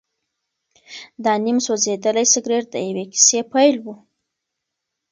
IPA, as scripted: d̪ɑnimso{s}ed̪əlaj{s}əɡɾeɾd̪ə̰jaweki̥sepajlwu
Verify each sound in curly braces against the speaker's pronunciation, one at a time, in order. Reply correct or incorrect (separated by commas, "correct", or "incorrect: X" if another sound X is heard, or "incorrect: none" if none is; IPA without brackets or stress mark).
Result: incorrect: z, correct